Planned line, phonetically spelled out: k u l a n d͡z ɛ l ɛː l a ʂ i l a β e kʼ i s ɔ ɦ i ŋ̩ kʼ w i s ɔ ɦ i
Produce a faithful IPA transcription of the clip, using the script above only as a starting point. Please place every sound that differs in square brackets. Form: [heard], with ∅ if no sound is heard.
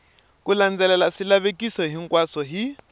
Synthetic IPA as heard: k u l a n d͡z ɛ l [ɛ] l a [s] i l a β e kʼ i s ɔ ɦ i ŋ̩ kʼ w [a] s ɔ ɦ i